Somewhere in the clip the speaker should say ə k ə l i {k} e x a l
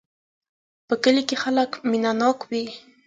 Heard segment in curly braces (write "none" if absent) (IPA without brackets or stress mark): k